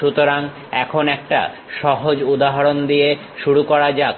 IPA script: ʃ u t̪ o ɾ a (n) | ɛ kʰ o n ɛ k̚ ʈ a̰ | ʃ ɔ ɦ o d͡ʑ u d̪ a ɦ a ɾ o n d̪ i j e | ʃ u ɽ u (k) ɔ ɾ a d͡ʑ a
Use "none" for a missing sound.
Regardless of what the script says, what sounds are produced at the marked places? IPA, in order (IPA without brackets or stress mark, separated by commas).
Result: ŋ, k